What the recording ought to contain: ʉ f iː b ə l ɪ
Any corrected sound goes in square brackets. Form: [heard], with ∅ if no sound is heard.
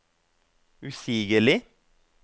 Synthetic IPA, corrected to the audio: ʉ [s] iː [ɡ] ə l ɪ